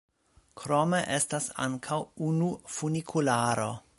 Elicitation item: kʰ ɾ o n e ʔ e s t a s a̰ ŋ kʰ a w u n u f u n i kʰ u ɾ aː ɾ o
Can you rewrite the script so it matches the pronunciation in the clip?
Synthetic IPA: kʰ ɾ o m e ʔ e s t a s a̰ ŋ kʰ a w u n u f u n i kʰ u l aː ɾ o

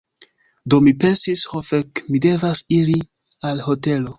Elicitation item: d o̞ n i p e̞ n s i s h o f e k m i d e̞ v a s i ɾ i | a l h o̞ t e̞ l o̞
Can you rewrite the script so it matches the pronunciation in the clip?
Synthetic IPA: d o̞ m i p e̞ n s i s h o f e k m i d e̞ v a s i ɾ i | a l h o̞ t e̞ l o̞

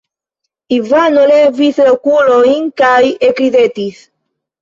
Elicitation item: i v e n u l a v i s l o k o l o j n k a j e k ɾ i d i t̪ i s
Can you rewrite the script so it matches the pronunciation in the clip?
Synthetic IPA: i v a n o l e v i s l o k u l o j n k a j e k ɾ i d e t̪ i s

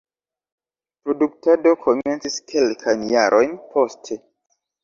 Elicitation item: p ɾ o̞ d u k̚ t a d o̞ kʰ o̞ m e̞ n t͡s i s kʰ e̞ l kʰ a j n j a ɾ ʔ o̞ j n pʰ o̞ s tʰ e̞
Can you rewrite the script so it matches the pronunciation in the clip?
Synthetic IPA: p ɾ o̞ d u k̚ t a d o̞ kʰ o̞ m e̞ n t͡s i s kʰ e̞ l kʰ a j n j a ɾ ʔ o̞ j n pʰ o̞ s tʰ e̞

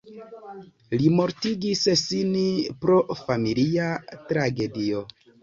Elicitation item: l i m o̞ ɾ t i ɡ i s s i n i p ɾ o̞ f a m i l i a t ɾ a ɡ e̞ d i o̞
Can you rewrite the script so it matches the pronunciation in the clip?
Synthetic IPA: l i m o̞ ɾ t i ɡ i s s i n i p ɾ o̞ f a m i l i a t ɾ a ɡ e̞ d i o̞

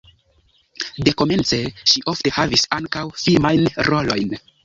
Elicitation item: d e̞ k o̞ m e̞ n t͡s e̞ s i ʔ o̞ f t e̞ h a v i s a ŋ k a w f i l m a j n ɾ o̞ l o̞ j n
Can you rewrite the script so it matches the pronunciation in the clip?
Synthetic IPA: d e̞ k o̞ m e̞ n t͡s e̞ ʃ i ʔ o̞ f t e̞ h a v i s a ŋ k a w f i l m a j n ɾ o̞ l o̞ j n

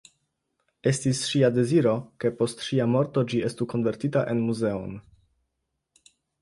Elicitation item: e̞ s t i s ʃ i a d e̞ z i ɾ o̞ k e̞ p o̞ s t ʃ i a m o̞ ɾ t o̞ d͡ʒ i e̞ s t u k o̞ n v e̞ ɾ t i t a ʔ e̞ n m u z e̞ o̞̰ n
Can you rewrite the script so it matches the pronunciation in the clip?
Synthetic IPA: e̞ s t i s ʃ i a d e̞ z i ɾ o̞ k e̞ p o̞ s t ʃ i a m o̞ ɾ t o̞ d͡ʒ i e̞ s t u k o̞ n v e̞ ɾ t i t a ʔ e̞ n m u z e̞ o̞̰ n

